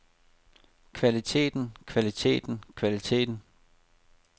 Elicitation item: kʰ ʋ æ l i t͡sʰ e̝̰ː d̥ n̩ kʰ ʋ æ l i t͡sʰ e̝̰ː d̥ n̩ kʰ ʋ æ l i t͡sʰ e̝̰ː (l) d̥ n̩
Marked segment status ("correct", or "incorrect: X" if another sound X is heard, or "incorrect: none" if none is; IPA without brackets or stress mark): incorrect: none